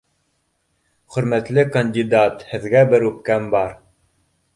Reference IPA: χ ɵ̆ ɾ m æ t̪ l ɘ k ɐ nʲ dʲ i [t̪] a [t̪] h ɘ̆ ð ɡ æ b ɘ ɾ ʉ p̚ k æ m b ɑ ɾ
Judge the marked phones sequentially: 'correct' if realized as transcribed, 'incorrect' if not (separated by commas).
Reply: incorrect, correct